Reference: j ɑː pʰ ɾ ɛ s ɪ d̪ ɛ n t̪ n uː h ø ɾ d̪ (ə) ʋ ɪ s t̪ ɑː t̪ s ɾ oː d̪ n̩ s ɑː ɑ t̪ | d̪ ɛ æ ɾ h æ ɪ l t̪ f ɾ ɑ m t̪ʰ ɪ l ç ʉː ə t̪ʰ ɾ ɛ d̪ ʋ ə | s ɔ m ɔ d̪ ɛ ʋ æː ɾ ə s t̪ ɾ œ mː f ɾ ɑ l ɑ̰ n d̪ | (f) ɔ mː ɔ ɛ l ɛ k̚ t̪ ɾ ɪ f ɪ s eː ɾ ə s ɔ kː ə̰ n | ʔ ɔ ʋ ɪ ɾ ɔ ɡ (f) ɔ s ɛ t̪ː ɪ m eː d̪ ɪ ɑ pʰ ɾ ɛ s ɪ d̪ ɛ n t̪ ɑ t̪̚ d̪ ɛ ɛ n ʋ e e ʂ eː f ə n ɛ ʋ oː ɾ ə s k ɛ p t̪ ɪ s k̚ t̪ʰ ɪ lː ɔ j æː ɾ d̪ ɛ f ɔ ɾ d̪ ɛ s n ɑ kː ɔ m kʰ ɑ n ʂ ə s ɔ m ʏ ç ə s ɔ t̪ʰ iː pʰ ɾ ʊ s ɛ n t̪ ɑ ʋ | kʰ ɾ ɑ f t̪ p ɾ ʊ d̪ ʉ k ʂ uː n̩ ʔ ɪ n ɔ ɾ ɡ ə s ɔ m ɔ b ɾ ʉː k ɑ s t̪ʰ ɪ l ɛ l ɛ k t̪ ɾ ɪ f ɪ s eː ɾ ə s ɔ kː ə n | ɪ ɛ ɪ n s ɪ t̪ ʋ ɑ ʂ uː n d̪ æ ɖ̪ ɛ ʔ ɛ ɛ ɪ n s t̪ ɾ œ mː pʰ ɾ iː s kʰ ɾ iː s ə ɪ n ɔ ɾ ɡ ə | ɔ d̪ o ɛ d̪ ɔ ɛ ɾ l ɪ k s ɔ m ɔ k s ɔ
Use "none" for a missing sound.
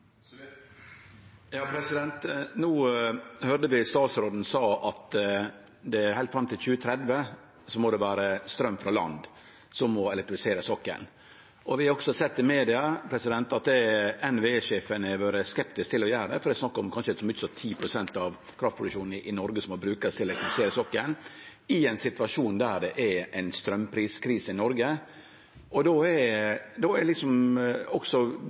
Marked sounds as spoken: ə, s, s

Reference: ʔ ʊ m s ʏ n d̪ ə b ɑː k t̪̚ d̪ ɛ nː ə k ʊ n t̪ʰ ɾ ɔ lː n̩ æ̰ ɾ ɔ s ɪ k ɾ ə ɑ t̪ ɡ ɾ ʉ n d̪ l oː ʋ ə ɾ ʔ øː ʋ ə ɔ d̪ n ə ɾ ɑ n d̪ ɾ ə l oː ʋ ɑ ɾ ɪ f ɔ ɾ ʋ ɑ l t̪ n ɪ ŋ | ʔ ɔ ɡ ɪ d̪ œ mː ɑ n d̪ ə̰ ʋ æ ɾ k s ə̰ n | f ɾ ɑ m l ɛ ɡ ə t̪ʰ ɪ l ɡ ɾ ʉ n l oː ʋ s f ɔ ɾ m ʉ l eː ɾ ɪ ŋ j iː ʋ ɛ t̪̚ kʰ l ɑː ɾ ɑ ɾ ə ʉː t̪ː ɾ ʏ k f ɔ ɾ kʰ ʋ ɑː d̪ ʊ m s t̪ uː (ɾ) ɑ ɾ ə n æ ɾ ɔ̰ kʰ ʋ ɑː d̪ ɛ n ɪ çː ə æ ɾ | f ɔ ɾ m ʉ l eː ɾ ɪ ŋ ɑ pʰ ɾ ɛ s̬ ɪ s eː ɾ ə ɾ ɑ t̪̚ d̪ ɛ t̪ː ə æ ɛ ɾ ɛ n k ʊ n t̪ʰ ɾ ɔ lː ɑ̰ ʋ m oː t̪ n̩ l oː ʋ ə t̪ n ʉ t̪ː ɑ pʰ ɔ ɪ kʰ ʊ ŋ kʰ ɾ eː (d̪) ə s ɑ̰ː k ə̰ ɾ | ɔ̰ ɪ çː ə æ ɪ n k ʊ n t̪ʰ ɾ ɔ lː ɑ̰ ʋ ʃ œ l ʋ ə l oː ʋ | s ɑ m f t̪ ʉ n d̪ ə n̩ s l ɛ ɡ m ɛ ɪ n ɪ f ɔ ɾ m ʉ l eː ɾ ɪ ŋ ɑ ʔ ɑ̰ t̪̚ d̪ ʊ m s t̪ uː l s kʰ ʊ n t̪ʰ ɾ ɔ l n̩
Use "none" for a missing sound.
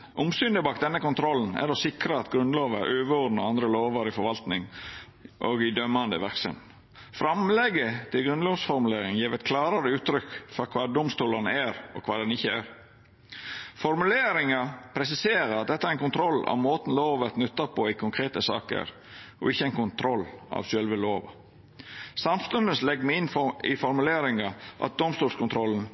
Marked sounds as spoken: l, t̪

